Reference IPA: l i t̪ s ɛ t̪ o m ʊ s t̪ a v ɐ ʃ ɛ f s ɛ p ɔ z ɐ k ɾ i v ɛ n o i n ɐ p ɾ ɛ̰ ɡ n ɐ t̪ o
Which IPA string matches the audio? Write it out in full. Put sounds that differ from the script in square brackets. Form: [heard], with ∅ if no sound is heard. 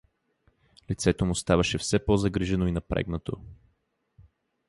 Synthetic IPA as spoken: l i t̪ s ɛ t̪ o m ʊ s t̪ a v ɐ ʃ ɛ f s ɛ p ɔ z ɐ [ɡ] ɾ i [ʒ] ɛ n o i n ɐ p ɾ ɛ̰ ɡ n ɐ t̪ o

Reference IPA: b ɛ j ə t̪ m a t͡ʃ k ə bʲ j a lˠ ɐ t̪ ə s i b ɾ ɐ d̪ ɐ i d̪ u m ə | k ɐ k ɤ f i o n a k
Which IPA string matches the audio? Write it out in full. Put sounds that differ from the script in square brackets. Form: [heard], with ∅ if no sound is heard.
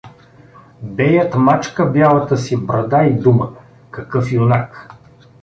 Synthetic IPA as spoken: b ɛ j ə t̪ m a t͡ʃ k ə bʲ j a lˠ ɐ t̪ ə s i b ɾ ɐ d̪ [a] i d̪ u m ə | k ɐ k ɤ f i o n a k

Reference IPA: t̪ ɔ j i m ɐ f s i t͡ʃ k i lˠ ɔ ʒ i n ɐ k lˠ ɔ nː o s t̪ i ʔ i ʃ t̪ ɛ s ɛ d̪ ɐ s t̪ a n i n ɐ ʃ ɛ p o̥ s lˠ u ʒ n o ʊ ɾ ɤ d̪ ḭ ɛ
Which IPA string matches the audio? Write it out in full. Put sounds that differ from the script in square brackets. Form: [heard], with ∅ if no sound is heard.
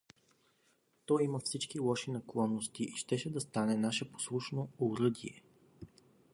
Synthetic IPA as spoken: t̪ ɔ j i m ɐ f s i t͡ʃ k i lˠ ɔ [ʃ] i n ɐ k lˠ ɔ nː o s t̪ i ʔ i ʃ t̪ ɛ [ʃ] ɛ d̪ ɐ s t̪ a n [ɛ] n [a] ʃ ɛ p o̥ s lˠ u [ʃ] n o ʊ ɾ ɤ d̪ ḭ ɛ

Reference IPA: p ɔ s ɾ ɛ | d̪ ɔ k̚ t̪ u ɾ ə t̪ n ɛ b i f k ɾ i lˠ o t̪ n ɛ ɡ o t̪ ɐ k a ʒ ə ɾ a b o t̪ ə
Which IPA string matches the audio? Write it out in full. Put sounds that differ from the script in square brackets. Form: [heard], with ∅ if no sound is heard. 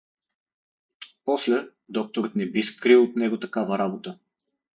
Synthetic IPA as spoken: p ɔ s [l] ɛ | d̪ ɔ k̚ t̪ [o] ɾ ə t̪ n ɛ b i [s] k ɾ i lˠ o t̪ n ɛ ɡ o t̪ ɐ k a [v] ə ɾ a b o t̪ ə

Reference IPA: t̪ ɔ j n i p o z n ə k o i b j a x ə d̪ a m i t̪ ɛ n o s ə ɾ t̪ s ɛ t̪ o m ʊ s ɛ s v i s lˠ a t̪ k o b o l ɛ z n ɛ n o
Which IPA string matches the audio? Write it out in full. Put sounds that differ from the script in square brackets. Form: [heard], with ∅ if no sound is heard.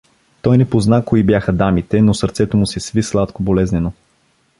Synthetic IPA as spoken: t̪ ɔ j n [ɛ] p o z n [a] k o i b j a x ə d̪ a m i t̪ ɛ n o s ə ɾ t̪ s ɛ t̪ o m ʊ s ɛ s v i s lˠ a t̪ k o b o l ɛ z n ɛ n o

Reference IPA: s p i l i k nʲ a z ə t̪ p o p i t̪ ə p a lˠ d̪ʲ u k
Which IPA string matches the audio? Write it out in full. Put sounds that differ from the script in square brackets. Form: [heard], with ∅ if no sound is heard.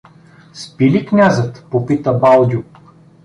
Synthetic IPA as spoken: s p i l i k nʲ a z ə t̪ p o p i t̪ ə [b] a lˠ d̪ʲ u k

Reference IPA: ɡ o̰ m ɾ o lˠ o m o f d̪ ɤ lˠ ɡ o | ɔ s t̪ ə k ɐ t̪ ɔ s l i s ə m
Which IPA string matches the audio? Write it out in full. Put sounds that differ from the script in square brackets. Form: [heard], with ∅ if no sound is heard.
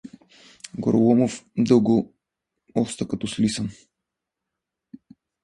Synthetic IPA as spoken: ɡ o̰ [∅] ɾ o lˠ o m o f d̪ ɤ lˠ ɡ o | ɔ s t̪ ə k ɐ t̪ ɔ s l i s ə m

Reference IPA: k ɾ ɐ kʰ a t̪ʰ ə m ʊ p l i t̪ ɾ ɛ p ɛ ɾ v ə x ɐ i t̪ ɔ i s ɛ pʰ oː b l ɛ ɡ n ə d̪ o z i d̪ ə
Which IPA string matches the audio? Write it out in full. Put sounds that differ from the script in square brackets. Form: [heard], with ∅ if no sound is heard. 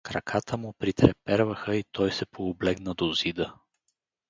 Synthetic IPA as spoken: k ɾ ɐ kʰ a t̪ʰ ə m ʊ p [ɾ] i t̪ ɾ ɛ p ɛ ɾ v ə x [ə] i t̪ ɔ [j] s ɛ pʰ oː b l ɛ ɡ n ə d̪ o z i d̪ ə

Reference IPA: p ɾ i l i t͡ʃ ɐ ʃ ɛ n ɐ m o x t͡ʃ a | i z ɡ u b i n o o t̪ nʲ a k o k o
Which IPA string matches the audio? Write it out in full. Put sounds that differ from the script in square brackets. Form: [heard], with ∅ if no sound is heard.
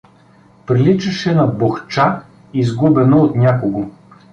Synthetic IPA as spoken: p ɾ i l i t͡ʃ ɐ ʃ ɛ n ɐ [b] o x t͡ʃ a | i z ɡ u b [ɛ] n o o t̪ nʲ a k o [ɡ] o

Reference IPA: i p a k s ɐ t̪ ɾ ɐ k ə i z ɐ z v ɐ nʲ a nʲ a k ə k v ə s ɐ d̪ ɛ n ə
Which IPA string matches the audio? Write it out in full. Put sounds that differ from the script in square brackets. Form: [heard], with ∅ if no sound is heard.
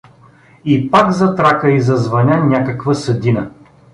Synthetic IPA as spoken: i p a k [z] ɐ t̪ ɾ [a] k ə i z ɐ z v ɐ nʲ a nʲ a k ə k v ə s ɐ d̪ [i] n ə

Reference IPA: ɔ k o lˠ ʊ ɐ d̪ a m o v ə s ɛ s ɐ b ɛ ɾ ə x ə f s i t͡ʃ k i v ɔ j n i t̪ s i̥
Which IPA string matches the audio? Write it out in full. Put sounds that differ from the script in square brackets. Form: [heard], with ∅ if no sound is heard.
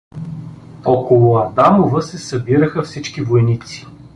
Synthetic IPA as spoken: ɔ k o lˠ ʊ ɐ d̪ a m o v ə s ɛ s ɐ b [i] ɾ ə x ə f s i t͡ʃ k i v [o] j n i t̪ s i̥

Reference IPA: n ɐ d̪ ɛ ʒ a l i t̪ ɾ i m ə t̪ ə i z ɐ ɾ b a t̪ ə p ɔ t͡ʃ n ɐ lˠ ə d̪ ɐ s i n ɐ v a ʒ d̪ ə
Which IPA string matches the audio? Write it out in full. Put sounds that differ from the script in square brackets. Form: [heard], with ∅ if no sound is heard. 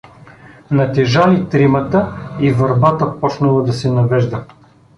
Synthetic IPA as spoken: n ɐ [t̪] ɛ ʒ a l i t̪ ɾ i m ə t̪ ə i [v] ɐ ɾ b a t̪ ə p ɔ t͡ʃ n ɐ lˠ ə d̪ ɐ s [ɛ] n ɐ v [ɛ] ʒ d̪ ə

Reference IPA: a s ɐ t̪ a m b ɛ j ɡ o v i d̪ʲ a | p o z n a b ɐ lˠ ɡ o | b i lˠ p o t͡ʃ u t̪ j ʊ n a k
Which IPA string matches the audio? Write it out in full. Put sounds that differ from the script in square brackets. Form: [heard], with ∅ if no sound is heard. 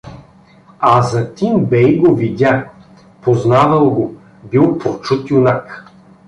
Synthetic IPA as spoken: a [z] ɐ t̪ [i] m b ɛ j ɡ o v i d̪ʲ a | p o z n a [v] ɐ lˠ ɡ o | b i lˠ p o t͡ʃ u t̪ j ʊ n a k

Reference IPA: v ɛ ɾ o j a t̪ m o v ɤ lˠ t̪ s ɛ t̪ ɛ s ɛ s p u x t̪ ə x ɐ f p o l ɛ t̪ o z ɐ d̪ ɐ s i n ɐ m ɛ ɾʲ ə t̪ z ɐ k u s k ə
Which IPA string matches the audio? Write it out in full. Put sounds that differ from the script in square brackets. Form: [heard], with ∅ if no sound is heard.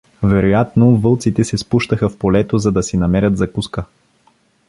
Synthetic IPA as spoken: v ɛ ɾ o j a t̪ [n] o v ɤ lˠ t̪ s [i] t̪ ɛ s ɛ s p u [ʃ] t̪ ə x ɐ f p o l ɛ t̪ o z ɐ d̪ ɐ s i n ɐ m ɛ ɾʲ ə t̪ z ɐ k u s k ə

